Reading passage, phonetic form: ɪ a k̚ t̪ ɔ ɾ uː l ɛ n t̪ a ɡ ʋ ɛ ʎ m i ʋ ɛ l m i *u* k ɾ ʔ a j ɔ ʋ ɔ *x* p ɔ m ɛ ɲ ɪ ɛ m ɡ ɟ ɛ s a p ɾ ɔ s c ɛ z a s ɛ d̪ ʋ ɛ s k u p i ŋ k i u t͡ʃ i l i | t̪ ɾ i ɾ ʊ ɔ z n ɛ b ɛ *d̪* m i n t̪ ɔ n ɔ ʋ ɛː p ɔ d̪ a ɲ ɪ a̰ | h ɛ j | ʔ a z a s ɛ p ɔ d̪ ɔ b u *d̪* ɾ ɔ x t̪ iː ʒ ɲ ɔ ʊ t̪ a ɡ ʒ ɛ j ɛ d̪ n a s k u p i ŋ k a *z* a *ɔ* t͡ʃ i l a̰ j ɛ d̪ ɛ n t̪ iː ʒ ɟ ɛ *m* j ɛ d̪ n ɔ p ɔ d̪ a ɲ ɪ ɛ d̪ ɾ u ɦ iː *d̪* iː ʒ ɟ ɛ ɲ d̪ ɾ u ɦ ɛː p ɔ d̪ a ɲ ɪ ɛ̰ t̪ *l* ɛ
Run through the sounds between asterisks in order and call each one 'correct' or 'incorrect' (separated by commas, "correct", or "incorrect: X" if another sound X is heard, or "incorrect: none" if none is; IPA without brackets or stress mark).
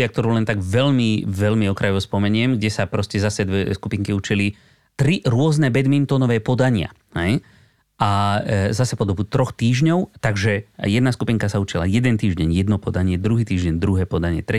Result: incorrect: ɔ, incorrect: s, correct, incorrect: t̪, incorrect: s, incorrect: u, incorrect: ɲ, incorrect: t̪, incorrect: ɾ